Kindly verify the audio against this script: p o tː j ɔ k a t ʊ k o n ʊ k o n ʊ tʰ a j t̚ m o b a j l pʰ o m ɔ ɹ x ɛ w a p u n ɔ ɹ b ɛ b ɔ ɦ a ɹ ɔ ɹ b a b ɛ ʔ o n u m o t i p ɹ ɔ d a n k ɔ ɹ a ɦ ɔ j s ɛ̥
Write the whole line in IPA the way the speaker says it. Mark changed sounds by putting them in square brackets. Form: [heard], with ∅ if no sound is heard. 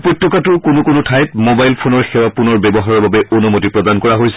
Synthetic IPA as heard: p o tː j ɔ k a t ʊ k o n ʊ k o n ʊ tʰ a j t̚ m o b a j l pʰ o [n] ɔ ɹ x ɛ w a p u n ɔ ɹ b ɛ b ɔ ɦ a ɹ ɔ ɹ b a b ɛ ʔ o n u m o t i p ɹ ɔ d a n k ɔ ɹ a ɦ [o] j s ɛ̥